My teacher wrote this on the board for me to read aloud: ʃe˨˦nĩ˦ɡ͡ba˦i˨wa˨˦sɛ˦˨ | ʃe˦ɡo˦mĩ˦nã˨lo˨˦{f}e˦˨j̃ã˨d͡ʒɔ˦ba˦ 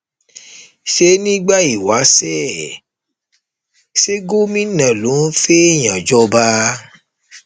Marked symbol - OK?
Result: yes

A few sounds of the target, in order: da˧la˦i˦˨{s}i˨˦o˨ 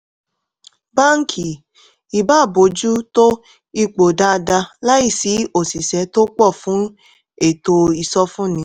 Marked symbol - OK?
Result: yes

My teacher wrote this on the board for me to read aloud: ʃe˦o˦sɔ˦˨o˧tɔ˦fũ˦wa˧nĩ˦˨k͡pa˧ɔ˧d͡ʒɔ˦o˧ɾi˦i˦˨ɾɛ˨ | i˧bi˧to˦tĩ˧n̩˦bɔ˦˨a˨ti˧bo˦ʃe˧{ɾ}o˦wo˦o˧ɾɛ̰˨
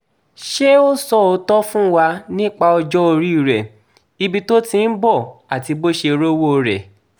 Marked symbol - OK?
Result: yes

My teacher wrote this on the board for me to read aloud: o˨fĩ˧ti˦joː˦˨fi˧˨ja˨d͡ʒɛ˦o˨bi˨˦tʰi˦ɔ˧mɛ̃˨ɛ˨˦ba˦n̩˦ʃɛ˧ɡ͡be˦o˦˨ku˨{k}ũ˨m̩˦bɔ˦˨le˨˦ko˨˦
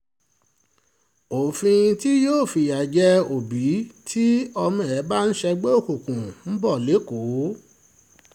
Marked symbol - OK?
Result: yes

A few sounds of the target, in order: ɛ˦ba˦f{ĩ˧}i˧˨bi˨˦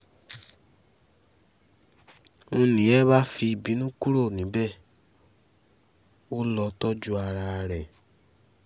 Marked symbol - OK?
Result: no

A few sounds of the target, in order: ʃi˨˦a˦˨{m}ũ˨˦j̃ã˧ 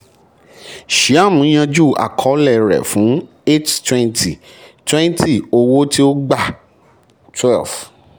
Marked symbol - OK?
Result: yes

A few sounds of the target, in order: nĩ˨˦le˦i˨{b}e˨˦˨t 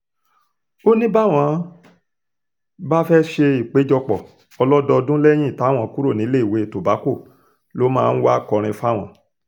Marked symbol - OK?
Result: no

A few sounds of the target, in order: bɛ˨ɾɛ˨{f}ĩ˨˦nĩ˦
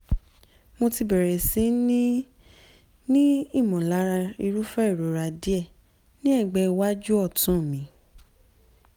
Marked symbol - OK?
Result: no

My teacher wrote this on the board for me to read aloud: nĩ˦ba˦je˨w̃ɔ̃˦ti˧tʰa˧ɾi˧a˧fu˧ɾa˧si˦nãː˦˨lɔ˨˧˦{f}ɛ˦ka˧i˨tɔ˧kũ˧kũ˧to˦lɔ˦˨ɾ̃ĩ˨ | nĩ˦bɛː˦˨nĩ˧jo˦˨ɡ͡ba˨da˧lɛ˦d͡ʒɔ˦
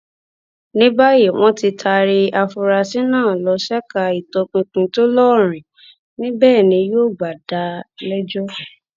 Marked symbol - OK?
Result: no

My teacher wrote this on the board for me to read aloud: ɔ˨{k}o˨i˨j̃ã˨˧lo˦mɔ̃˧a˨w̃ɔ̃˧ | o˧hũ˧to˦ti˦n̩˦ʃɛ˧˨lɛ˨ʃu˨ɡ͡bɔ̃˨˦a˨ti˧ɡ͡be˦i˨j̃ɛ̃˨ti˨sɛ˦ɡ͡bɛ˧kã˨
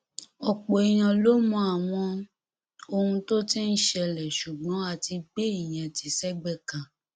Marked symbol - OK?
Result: no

